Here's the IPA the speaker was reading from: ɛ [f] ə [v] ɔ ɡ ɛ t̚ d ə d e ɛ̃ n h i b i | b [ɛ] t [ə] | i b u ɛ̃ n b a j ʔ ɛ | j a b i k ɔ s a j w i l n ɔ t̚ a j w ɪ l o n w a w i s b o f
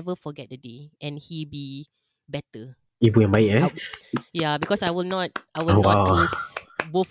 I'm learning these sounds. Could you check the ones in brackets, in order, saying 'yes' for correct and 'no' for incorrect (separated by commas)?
no, no, yes, yes